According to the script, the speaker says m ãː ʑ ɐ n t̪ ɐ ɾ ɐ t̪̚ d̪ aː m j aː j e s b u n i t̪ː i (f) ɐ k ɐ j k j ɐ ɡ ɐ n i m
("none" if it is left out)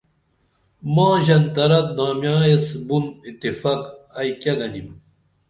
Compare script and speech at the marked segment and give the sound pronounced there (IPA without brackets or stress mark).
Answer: f